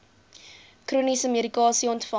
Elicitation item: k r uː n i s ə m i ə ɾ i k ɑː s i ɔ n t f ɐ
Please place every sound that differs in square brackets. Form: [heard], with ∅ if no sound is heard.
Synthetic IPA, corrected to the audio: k r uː n i s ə m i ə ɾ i k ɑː s i ɔ n t f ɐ